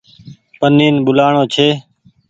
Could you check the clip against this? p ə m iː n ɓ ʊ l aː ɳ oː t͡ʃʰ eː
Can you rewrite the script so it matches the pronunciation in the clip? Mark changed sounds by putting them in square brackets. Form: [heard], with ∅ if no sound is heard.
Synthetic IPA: p ə [n] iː n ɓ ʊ l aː ɳ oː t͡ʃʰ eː